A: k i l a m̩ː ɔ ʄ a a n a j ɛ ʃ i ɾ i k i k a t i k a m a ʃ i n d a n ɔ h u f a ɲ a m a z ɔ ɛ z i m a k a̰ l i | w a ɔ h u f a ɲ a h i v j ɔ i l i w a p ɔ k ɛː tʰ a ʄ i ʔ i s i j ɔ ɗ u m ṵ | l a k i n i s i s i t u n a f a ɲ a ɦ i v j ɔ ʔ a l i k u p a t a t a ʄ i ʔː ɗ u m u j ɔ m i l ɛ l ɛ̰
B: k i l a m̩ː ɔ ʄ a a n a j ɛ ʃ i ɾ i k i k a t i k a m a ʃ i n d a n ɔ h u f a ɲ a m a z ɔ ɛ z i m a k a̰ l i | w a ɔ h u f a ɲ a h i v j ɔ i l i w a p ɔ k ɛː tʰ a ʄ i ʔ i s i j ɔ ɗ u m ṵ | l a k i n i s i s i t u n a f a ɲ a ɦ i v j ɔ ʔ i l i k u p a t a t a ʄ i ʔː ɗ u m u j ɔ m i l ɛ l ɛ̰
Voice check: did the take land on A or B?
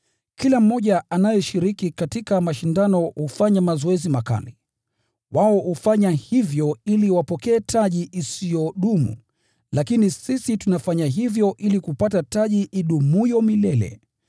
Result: B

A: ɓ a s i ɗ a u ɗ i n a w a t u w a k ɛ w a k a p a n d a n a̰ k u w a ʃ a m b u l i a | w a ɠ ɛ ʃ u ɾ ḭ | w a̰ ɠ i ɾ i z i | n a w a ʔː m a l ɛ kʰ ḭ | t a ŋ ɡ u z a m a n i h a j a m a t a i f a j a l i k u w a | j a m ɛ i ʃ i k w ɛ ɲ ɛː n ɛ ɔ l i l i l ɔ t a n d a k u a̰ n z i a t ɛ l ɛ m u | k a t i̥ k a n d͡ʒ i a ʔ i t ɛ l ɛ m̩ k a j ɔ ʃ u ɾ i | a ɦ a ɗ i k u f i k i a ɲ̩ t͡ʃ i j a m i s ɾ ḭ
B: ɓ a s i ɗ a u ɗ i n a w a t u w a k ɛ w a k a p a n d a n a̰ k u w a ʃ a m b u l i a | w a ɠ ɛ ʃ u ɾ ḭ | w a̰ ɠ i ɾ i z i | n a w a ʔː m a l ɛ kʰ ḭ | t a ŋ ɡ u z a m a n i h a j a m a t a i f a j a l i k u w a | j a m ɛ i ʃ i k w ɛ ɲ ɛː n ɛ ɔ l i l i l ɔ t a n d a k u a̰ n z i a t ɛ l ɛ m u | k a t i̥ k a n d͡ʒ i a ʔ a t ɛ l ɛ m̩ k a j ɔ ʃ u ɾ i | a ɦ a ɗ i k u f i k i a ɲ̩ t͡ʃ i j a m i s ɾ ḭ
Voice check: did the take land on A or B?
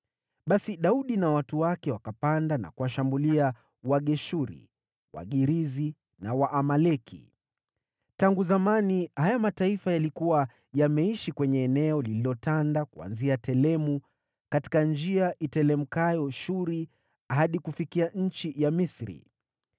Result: A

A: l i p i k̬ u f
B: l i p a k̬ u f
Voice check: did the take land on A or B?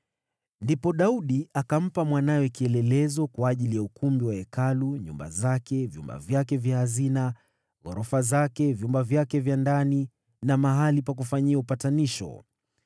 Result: B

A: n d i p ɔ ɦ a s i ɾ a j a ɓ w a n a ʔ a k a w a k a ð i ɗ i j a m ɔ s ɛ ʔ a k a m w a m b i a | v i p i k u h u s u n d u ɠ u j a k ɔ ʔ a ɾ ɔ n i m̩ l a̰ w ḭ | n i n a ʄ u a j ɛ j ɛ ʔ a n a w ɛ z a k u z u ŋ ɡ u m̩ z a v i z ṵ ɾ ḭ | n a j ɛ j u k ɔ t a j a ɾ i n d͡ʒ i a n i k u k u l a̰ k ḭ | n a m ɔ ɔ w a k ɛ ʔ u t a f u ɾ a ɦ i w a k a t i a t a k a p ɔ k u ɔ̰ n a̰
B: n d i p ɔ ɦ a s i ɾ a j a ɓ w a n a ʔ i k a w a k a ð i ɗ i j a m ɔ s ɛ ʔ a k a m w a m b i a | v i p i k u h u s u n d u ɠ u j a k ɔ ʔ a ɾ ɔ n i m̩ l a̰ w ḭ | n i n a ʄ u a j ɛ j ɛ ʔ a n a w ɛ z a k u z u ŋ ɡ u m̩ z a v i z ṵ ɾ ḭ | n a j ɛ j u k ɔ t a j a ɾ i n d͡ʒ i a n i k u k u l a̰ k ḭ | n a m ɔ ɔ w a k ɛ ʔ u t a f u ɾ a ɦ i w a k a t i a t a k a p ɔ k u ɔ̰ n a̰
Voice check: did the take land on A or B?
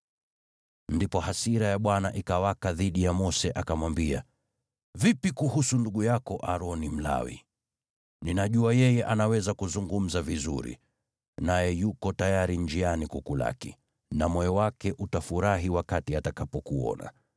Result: B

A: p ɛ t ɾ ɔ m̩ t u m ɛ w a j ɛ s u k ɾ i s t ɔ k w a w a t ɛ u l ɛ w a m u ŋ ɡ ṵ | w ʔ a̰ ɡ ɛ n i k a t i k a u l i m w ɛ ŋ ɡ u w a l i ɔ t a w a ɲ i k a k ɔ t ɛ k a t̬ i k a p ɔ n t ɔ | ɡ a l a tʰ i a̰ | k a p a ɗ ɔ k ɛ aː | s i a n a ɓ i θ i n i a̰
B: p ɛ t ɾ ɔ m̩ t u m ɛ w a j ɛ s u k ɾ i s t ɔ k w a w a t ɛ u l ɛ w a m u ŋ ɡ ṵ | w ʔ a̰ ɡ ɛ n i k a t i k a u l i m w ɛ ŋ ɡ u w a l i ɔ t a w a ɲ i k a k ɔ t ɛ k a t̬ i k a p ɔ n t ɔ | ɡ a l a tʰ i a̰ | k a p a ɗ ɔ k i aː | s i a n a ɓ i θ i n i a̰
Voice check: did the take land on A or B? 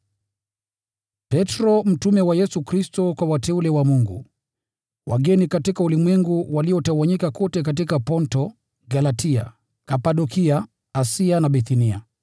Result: B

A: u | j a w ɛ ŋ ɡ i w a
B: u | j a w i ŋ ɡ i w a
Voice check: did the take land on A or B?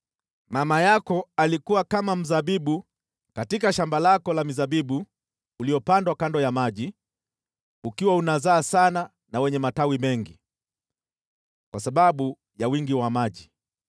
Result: B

